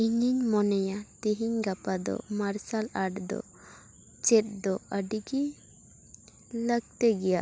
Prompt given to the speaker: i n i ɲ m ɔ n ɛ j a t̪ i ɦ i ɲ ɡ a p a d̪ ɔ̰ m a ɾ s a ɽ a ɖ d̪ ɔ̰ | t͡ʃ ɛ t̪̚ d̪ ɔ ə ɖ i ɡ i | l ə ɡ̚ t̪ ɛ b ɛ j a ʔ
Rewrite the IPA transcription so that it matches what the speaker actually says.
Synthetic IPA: i ɲ i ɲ m ɔ n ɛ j a t̪ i ɦ i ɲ ɡ a p a d̪ ɔ̰ m a ɾ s a l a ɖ d̪ ɔ̰ | t͡ʃ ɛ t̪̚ d̪ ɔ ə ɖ i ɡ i | l ə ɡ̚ t̪ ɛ ɡ ɛ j a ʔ